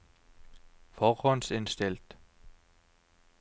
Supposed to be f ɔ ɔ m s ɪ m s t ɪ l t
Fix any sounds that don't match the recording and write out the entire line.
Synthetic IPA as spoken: f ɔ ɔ n s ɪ n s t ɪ l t

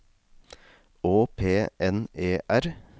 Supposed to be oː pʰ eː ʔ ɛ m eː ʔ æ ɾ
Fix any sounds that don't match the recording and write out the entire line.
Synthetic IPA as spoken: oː pʰ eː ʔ ɛ n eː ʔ æ ɾ

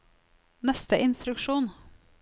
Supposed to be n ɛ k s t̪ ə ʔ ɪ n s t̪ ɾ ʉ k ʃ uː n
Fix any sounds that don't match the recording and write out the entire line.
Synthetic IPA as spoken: n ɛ s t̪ ə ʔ ɪ n s t̪ ɾ ʉ k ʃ uː n

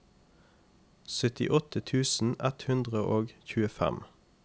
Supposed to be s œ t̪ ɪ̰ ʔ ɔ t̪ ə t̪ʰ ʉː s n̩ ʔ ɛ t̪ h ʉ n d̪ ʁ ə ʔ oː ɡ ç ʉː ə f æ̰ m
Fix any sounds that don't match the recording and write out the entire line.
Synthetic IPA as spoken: s œ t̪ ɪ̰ ʔ ɔ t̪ ə t̪ʰ ʉː s n̩ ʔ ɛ t̪ h ʉ n d̪ ʁ ə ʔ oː ɡ ç ʉː ə f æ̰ m

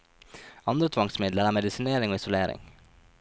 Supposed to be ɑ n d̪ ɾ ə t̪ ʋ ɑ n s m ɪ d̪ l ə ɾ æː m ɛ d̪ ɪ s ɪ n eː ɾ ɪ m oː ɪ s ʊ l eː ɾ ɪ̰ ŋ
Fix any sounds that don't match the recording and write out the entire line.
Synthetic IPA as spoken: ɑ n d̪ ɾ ə t̪ʰ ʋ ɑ ŋ s m ɪ d̪ l ə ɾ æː m ɛ d̪ ɪ s ɪ n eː ɾ ɪ ŋ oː ɪ s ʊ l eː ɾ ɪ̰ ŋ

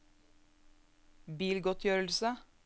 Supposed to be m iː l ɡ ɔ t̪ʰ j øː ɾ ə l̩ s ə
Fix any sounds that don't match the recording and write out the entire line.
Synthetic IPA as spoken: b iː l ɡ ɔ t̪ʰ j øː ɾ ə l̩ s ə

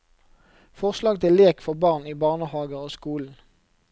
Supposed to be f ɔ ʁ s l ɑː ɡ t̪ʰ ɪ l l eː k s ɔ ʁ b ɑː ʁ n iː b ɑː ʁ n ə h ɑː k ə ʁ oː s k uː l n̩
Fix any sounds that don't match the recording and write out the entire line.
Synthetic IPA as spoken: f ɔ ʁ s l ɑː ɡ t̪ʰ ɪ l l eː k f ɔ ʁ b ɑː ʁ n iː b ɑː ʁ n ə h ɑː ɡ ə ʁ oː s k uː l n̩

